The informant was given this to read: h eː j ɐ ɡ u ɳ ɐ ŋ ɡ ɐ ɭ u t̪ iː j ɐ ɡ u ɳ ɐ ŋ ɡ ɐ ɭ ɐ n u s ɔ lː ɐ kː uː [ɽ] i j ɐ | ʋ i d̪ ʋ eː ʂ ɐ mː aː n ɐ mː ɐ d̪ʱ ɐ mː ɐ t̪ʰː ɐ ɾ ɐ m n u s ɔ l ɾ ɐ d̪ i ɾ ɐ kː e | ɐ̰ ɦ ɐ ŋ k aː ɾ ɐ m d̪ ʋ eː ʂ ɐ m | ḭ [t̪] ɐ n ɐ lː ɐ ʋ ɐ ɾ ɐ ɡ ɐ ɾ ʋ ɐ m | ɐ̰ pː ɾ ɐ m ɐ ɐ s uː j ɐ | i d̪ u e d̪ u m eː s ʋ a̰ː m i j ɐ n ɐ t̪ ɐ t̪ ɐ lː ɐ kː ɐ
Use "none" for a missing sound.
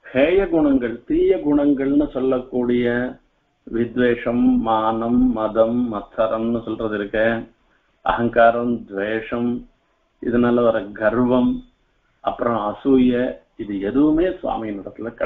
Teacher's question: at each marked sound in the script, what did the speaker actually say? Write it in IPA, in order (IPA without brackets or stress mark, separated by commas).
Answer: ɽ, d̪